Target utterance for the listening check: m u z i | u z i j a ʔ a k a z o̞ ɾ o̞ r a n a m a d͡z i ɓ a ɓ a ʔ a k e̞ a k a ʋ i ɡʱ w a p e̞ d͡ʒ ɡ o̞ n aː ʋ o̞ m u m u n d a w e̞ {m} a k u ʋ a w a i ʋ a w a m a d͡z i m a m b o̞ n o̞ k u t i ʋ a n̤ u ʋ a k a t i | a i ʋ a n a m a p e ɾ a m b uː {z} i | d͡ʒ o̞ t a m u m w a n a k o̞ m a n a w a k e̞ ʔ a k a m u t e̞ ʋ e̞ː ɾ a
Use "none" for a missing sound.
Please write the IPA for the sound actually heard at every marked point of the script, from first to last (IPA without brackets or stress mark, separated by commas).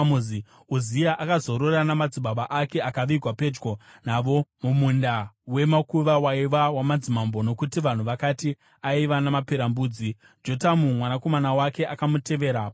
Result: m, d͡z